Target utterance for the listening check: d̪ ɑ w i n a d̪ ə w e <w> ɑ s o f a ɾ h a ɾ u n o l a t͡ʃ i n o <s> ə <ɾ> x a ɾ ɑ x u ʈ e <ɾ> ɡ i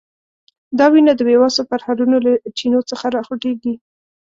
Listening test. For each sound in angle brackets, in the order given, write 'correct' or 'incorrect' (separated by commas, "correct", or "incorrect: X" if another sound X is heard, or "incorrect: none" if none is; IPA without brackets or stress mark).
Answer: correct, incorrect: t͡s, incorrect: none, incorrect: none